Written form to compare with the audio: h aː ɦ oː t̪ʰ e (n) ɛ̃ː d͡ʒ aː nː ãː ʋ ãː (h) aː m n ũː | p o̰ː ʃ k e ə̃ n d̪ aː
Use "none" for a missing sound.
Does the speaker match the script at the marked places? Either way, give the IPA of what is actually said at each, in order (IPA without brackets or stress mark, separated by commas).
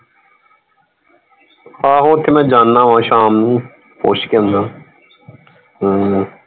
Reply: m, ʃ